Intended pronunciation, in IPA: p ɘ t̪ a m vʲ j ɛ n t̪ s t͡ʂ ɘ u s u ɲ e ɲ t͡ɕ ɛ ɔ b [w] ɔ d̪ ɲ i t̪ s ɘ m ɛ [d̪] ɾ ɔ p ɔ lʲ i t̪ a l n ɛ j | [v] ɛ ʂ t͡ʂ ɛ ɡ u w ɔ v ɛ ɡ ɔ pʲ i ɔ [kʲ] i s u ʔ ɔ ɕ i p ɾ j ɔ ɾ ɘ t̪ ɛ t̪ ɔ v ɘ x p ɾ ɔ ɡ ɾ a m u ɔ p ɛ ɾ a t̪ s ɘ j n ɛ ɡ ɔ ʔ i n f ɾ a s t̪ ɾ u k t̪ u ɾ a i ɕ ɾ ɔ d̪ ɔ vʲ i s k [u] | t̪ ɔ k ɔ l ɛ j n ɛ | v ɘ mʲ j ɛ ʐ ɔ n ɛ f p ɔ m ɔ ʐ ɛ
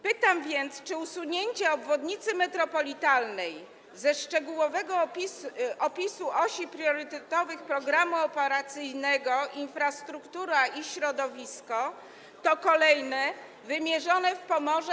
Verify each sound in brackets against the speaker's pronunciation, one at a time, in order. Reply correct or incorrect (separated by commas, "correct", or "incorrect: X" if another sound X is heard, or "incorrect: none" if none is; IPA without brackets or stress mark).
incorrect: v, incorrect: t̪, incorrect: z, incorrect: pʲ, incorrect: ɔ